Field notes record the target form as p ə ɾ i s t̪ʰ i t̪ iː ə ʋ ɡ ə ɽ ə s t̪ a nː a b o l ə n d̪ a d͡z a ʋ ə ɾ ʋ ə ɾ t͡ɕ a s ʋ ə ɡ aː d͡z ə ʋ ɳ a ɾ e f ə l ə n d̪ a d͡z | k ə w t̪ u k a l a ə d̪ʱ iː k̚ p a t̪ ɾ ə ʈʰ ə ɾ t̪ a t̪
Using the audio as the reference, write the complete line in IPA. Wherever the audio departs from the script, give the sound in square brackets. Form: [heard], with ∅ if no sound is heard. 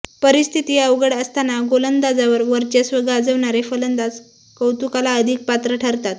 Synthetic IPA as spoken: p ə ɾ i s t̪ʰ i t̪ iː ə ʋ ɡ ə ɽ ə s t̪ a [n] a [ɡ] o l ə n d̪ a d͡z a ʋ ə ɾ ʋ ə ɾ t͡ɕ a s ʋ ə ɡ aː d͡z ə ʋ ɳ a ɾ e f ə l ə n d̪ a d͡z | k ə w t̪ u k a l a ə d̪ʱ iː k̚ p a t̪ ɾ ə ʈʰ ə ɾ t̪ a t̪